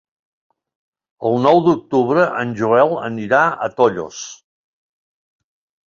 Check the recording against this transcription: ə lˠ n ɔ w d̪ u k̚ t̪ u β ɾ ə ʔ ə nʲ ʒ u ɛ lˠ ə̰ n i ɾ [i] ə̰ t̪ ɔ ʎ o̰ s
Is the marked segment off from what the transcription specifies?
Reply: yes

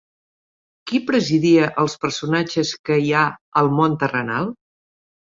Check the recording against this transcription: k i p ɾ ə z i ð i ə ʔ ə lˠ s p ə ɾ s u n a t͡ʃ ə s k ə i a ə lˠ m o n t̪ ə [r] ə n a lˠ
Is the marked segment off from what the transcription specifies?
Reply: no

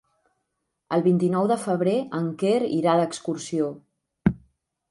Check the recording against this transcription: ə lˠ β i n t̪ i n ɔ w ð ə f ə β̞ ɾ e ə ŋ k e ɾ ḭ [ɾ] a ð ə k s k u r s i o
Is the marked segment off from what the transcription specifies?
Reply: no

